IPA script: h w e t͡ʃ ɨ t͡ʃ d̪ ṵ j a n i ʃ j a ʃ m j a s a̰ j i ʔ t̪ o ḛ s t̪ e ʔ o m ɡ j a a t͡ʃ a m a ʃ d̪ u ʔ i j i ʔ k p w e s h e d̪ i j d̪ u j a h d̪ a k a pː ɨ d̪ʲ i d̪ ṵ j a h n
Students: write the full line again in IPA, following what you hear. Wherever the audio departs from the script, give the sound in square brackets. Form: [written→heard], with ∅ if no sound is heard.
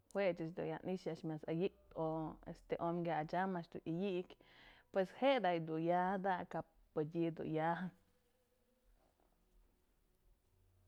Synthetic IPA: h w e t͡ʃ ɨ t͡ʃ d̪ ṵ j a n i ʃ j a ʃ m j a s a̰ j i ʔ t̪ o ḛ s t̪ e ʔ o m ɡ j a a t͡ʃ a m a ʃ d̪ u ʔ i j i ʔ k p w e s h e d̪ [i→a] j d̪ u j a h d̪ a k a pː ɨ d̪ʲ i d̪ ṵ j a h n